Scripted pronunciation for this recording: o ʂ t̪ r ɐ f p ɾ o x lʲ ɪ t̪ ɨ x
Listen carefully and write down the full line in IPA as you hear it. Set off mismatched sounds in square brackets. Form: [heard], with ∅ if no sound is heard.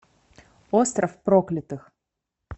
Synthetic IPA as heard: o [s] t̪ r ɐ f p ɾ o [k] lʲ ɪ t̪ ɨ x